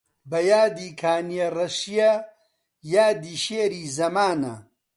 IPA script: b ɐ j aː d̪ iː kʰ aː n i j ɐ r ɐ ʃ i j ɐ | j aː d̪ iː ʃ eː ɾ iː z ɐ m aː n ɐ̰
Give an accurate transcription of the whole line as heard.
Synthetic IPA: b ɐ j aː d̪ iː kʰ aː n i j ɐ r ɐ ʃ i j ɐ | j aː d̪ iː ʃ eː ɾ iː z ɐ m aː n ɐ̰